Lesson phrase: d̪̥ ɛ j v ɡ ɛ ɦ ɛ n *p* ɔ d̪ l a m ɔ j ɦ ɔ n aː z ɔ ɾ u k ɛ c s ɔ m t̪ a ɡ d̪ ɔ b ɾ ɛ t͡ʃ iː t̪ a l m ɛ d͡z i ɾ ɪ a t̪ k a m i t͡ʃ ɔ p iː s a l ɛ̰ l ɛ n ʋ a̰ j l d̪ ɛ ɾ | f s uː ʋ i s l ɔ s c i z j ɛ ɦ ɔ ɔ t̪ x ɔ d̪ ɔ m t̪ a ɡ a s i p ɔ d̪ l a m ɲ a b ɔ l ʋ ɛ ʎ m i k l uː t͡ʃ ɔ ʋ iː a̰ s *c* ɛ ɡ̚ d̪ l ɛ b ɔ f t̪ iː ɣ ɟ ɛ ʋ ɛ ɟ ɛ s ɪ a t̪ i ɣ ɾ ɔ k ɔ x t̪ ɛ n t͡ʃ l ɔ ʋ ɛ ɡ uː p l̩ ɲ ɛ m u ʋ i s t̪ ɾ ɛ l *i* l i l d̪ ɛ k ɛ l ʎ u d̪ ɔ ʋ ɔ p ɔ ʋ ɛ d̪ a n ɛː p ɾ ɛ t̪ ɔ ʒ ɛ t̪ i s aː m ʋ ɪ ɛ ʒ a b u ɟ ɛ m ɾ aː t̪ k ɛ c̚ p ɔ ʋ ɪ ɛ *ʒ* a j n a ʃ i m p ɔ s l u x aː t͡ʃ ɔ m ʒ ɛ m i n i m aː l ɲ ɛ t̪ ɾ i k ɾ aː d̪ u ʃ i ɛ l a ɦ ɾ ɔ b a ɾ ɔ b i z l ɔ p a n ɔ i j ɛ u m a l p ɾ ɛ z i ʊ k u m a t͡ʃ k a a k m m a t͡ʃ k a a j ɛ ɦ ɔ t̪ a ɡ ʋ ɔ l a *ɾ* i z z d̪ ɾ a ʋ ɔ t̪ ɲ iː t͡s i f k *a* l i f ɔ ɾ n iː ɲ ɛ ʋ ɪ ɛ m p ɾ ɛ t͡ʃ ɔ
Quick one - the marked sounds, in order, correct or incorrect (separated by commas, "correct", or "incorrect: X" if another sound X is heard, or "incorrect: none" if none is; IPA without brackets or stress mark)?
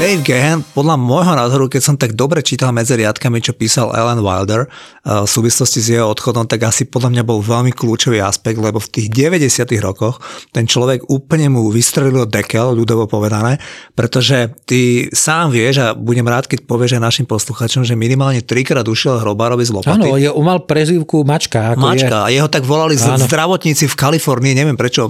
correct, incorrect: p, correct, correct, incorrect: l, correct